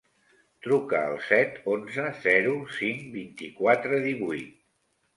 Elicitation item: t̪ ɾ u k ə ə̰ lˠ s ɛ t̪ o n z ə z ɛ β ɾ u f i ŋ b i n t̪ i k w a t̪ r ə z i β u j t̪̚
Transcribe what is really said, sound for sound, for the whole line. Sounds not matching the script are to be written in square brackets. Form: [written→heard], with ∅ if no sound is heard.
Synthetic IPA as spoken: t̪ ɾ u k ə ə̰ lˠ s ɛ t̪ o n z ə z ɛ [β→∅] ɾ u [f→s] i ŋ b i n t̪ i k w a t̪ [r→ɾ] ə [z→ð] i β u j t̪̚